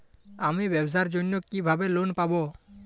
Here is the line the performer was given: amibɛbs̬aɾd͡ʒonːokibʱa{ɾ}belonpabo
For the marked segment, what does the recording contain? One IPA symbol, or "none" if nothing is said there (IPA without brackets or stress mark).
none